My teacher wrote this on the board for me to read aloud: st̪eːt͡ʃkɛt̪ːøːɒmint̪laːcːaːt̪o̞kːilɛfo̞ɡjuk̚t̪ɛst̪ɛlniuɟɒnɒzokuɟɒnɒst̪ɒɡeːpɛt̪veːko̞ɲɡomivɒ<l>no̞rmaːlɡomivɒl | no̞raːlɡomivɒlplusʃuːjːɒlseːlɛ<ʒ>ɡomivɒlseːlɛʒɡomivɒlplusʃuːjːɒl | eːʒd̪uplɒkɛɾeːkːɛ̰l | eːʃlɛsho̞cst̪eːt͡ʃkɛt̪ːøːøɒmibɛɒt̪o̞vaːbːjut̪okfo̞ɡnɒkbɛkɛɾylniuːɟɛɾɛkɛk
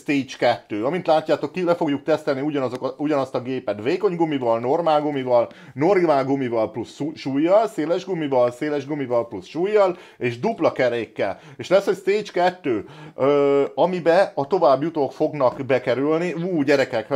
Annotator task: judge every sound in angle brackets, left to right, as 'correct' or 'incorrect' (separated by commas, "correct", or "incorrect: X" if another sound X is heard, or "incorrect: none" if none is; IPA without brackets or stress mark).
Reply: correct, correct